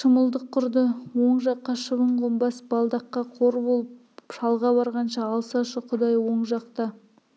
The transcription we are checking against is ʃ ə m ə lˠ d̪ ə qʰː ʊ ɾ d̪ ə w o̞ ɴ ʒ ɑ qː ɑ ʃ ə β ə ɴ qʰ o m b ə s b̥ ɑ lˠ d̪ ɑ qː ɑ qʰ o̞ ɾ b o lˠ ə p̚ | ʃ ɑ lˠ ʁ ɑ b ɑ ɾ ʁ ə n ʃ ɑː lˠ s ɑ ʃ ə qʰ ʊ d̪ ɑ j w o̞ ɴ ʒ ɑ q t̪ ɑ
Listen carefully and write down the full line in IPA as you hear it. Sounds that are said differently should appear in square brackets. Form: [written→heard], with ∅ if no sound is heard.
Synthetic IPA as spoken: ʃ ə m ə lˠ d̪ ə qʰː ʊ ɾ d̪ ə w o̞ ɴ ʒ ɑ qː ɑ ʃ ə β ə ɴ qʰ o m b [ə→ɑ] s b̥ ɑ lˠ d̪ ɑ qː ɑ qʰ o̞ ɾ b o lˠ ə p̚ | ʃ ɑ lˠ ʁ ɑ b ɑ ɾ ʁ [ə→ɑ] n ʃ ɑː lˠ s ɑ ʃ ə qʰ ʊ d̪ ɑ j w o̞ ɴ ʒ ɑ q t̪ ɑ